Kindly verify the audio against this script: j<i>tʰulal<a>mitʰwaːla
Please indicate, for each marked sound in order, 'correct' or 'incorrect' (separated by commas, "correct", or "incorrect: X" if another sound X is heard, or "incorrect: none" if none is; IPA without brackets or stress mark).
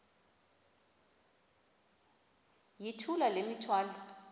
correct, incorrect: e